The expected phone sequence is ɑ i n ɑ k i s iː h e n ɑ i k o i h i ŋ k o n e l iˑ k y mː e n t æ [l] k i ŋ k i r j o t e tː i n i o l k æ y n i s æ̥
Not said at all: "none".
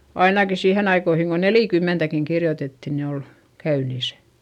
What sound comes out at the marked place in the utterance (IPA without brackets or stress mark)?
none